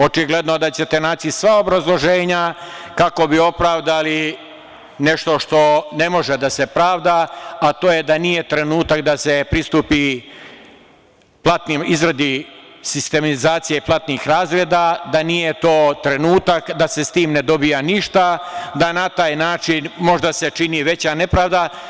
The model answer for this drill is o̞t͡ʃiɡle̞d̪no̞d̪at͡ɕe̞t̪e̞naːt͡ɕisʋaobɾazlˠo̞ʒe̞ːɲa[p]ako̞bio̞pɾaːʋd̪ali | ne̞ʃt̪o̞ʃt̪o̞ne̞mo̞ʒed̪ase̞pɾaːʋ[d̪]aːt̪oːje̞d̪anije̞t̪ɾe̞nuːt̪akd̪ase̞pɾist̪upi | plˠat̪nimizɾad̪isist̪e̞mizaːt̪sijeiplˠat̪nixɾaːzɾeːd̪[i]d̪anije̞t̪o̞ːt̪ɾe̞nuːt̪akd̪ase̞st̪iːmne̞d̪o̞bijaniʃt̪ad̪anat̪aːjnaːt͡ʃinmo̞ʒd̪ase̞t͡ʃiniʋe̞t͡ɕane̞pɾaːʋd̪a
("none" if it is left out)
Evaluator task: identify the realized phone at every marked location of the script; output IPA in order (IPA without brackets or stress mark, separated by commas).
k, d̪, a